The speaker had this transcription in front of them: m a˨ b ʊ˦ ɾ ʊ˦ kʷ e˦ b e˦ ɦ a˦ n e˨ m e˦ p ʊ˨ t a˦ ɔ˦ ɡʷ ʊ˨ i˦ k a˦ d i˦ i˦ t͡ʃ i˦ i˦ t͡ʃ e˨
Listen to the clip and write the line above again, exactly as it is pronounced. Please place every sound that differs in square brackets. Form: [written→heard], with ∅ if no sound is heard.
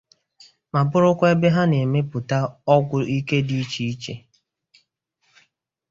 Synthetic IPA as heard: m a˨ b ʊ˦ ɾ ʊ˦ kʷ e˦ b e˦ ɦ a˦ n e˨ m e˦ p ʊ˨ t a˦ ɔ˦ ɡʷ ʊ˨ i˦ k [a˦→e˦] d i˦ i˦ t͡ʃ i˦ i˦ t͡ʃ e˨